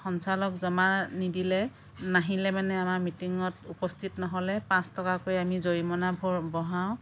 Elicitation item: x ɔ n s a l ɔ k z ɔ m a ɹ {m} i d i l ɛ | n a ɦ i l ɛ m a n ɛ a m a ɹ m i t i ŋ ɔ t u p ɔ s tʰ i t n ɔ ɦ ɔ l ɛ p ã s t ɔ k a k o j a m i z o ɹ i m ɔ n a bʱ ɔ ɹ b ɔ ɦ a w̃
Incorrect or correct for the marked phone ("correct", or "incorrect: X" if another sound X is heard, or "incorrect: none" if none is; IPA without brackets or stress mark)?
incorrect: n